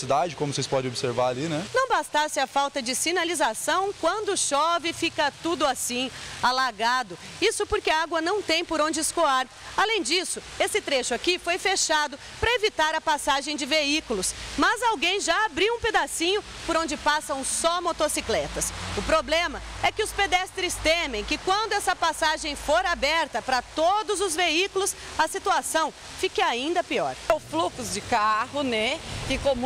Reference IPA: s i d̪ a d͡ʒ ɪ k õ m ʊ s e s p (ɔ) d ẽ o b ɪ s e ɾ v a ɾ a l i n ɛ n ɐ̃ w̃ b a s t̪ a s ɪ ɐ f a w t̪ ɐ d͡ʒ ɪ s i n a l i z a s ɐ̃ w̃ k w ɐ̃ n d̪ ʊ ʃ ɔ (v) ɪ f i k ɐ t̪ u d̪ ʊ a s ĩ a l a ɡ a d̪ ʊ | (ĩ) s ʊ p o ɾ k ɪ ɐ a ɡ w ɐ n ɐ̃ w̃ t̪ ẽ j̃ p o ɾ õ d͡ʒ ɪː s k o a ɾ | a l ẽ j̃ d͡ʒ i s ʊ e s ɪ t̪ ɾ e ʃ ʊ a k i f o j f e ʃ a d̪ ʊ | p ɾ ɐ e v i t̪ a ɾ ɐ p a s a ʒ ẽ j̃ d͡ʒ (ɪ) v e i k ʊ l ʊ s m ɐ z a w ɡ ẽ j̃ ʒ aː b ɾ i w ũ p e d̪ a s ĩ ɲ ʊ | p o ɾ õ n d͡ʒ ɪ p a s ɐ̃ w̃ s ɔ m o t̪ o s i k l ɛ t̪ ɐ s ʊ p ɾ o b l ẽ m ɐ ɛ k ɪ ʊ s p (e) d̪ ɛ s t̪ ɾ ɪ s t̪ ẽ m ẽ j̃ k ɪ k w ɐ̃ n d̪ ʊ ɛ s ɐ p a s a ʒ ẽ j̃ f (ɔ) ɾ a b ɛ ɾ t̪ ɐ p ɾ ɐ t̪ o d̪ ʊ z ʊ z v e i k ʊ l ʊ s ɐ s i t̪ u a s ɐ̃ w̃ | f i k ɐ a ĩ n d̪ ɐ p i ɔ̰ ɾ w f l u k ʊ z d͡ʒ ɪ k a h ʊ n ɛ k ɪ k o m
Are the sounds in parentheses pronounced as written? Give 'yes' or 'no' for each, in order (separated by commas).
yes, yes, no, yes, yes, no